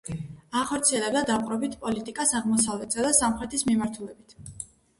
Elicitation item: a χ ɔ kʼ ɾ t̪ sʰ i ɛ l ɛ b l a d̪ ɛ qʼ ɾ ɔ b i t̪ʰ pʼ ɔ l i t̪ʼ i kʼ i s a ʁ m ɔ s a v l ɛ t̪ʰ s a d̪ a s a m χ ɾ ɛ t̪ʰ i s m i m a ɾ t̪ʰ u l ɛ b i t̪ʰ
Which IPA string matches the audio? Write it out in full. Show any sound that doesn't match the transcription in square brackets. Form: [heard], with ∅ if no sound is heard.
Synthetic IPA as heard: a χ ɔ [∅] ɾ t̪ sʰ i ɛ l ɛ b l a d̪ [a] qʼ ɾ ɔ b i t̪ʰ pʼ ɔ l i t̪ʼ i kʼ [a] s a ʁ m ɔ s a v l ɛ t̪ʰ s a d̪ a s a m χ ɾ ɛ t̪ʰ i s m i m a ɾ t̪ʰ u l ɛ b i t̪ʰ